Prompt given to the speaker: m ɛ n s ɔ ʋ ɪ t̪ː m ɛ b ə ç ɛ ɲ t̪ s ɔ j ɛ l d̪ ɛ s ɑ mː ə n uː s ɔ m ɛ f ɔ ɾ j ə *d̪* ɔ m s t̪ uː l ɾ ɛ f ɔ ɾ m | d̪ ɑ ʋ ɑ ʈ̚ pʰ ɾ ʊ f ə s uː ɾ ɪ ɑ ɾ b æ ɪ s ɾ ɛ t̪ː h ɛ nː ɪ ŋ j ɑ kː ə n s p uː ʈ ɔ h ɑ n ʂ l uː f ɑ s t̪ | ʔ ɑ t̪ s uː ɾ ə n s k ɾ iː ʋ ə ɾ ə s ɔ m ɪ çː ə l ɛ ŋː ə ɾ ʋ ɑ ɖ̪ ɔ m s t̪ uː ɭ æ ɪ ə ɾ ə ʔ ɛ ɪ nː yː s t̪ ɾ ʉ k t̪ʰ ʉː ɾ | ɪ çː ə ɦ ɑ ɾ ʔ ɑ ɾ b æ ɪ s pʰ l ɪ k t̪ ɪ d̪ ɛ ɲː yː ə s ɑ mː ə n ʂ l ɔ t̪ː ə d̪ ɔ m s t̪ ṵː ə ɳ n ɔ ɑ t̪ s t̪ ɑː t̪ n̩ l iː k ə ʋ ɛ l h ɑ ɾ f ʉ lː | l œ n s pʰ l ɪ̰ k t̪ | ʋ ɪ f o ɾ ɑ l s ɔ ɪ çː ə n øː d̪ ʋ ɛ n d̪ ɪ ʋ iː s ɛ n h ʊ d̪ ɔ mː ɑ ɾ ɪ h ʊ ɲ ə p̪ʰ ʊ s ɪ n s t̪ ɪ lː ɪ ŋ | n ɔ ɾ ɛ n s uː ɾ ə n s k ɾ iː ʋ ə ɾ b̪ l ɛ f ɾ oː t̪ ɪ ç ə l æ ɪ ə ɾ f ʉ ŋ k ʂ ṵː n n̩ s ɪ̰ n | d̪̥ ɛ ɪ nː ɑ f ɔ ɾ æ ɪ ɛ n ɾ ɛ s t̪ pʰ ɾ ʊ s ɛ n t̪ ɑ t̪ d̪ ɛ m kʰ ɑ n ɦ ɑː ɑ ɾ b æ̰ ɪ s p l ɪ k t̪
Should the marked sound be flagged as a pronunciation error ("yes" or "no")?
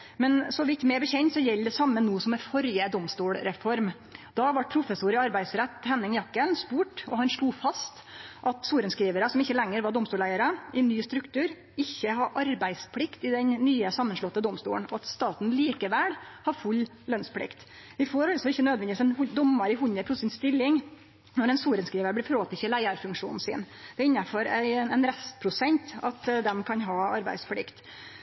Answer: no